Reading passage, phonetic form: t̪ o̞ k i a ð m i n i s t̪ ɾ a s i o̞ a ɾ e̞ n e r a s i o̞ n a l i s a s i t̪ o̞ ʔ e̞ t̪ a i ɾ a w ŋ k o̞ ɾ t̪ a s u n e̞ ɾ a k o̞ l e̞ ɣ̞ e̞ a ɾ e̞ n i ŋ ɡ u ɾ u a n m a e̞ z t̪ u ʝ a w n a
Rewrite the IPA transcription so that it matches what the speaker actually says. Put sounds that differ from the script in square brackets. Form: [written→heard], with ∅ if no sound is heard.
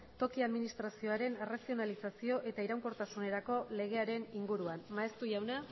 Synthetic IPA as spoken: t̪ o̞ k i a ð m i n i s t̪ ɾ a s i o̞ a ɾ e̞ n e r a s i o̞ n a l i s a s i [t̪→∅] o̞ ʔ e̞ t̪ a i ɾ a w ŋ k o̞ ɾ t̪ a s u n e̞ ɾ a k o̞ l e̞ ɣ̞ e̞ a ɾ e̞ n i ŋ ɡ u ɾ u a n m a e̞ [z→s] t̪ u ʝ a w n a